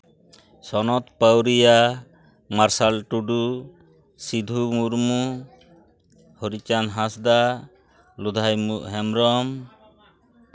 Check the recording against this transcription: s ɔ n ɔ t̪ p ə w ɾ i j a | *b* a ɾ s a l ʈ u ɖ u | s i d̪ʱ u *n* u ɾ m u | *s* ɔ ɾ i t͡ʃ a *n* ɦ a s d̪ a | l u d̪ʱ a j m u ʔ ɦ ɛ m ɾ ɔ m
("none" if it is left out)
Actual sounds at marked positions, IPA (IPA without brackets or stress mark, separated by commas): m, m, h, n